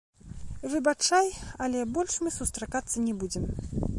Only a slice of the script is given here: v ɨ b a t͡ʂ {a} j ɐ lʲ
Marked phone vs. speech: correct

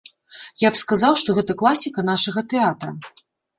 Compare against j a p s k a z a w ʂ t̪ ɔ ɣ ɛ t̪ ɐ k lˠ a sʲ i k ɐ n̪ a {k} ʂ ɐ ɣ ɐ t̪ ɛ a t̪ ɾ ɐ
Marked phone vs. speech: incorrect: none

